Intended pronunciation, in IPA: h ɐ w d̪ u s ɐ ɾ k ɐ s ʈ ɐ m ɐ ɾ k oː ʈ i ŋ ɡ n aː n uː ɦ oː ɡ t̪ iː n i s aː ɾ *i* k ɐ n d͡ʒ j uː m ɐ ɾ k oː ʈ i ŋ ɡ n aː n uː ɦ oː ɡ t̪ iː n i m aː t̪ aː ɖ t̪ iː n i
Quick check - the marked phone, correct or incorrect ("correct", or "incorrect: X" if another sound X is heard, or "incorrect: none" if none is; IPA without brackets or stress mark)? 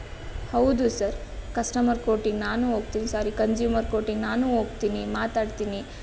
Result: correct